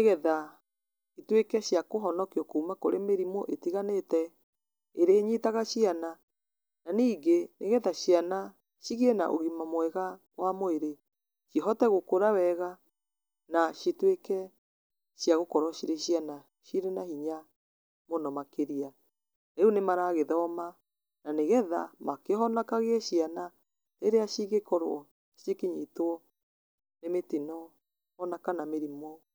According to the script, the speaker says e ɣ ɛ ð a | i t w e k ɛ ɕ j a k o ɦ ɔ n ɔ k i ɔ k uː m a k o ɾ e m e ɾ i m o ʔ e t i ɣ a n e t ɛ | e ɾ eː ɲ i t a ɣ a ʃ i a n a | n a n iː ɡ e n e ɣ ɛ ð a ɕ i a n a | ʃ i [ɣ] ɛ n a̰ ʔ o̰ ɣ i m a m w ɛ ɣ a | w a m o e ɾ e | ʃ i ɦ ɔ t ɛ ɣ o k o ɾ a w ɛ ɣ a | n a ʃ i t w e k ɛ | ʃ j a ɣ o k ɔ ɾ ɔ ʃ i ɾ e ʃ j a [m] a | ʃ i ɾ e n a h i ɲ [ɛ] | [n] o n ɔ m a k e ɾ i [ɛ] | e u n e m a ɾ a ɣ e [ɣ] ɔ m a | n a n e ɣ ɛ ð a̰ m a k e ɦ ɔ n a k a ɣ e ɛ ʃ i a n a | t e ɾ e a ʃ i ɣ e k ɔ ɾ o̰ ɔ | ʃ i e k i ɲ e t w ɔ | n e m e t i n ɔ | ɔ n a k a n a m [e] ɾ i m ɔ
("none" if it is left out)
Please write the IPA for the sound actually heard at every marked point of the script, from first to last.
ɣ, n, a, m, a, ð, e

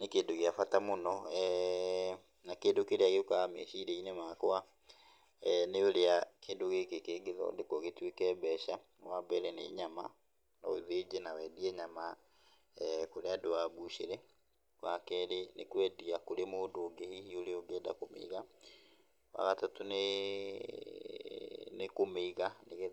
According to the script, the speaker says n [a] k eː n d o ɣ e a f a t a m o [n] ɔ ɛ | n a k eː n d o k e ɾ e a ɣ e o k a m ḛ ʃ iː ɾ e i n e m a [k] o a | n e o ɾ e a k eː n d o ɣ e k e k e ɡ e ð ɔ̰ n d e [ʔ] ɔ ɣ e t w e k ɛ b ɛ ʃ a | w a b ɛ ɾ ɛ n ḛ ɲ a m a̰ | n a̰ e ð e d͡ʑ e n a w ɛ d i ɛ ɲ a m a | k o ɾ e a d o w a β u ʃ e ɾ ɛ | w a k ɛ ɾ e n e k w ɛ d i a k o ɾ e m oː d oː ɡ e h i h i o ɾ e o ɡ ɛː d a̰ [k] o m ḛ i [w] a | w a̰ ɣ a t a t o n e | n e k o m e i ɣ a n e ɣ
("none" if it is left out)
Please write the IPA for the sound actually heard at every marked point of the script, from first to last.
e, n, k, k, k, ɣ

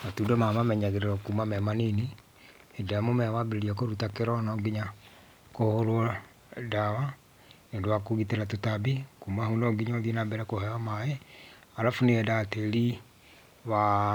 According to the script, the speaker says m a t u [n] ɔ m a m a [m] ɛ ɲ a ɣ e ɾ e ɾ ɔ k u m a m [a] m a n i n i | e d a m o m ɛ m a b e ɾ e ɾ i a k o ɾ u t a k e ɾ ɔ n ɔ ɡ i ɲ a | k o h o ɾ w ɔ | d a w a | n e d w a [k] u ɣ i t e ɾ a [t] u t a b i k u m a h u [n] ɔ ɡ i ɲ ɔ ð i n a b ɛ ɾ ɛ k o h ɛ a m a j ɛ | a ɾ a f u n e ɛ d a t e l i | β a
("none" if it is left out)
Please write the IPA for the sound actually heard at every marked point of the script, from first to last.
d, m, ɛ, k, t, n

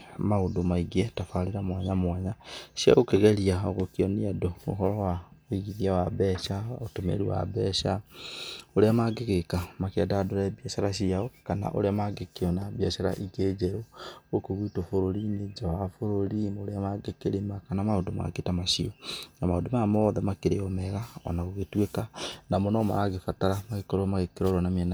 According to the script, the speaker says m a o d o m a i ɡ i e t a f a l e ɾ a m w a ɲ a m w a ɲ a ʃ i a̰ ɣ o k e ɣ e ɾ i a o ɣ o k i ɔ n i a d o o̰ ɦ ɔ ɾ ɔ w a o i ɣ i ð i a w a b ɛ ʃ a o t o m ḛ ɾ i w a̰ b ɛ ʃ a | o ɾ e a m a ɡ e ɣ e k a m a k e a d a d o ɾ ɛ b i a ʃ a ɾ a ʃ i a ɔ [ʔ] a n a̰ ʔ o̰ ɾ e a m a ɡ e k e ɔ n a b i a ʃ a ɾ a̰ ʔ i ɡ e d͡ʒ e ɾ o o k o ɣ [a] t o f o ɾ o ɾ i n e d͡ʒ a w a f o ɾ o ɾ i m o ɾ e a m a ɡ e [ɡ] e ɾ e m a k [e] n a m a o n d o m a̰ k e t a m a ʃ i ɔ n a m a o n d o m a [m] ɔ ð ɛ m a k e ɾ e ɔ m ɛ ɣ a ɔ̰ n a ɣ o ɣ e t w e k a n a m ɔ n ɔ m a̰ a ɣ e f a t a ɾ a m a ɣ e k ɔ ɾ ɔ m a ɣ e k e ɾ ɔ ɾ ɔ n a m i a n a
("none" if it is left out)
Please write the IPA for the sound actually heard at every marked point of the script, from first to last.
k, i, k, a, m

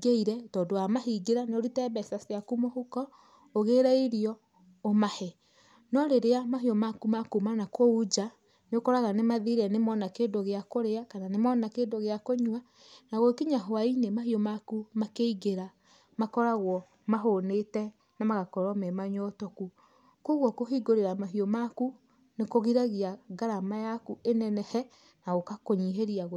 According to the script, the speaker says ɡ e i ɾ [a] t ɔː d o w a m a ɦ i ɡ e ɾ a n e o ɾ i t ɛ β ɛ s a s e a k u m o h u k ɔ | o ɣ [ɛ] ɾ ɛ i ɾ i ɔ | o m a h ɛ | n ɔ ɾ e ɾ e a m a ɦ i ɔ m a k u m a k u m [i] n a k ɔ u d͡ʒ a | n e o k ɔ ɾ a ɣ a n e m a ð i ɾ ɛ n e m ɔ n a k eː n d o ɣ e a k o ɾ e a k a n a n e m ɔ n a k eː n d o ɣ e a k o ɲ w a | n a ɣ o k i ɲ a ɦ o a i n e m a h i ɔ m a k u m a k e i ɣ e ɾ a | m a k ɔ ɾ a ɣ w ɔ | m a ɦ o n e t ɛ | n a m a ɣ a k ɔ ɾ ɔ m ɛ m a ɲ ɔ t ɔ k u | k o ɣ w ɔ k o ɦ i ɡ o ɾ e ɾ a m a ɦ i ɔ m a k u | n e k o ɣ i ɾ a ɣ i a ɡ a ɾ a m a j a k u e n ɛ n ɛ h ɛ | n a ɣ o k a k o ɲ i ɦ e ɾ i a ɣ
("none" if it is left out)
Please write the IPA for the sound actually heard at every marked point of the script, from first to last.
ɛ, e, a

